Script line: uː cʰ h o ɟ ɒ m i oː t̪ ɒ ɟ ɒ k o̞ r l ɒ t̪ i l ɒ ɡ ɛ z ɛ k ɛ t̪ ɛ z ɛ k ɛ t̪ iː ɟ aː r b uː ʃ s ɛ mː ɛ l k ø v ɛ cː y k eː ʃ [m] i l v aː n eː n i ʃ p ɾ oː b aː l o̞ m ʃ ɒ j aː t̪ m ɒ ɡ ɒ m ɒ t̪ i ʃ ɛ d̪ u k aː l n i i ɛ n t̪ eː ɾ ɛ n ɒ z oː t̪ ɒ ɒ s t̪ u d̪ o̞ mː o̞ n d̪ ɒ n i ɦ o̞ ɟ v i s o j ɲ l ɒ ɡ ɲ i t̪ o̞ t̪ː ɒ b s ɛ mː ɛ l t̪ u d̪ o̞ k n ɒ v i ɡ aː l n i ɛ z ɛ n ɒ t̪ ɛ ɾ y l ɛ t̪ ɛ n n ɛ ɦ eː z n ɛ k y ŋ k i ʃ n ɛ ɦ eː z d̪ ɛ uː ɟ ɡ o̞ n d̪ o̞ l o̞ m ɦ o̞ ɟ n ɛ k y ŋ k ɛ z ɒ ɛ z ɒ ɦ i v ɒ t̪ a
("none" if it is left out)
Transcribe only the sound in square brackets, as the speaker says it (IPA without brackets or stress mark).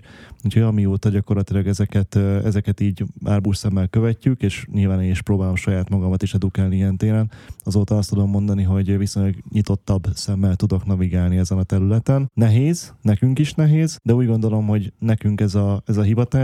ɲ